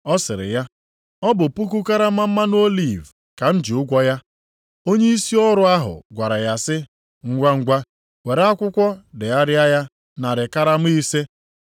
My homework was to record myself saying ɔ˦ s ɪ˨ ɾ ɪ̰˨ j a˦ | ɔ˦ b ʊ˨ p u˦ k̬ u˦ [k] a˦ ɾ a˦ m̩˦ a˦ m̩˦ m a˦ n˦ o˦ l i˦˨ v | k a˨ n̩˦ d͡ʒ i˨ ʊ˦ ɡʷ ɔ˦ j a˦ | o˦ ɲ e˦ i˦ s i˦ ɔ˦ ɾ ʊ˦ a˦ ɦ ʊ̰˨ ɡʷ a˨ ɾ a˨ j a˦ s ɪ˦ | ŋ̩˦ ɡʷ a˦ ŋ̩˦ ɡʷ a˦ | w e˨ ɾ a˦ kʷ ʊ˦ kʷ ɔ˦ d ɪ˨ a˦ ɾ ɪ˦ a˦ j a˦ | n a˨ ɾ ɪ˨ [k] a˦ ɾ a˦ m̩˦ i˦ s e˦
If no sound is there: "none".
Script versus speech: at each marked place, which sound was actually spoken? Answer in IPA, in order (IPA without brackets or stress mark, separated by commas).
k, k